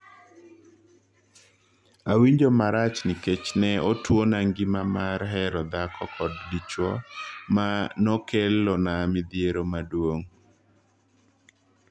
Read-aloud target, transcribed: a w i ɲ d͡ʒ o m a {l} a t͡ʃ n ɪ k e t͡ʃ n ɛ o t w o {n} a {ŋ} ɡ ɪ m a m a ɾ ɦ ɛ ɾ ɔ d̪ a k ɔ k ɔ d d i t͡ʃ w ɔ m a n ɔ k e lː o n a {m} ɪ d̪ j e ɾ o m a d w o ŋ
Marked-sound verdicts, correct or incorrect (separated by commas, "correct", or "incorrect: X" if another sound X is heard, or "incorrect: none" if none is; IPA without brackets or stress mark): incorrect: ɾ, correct, correct, correct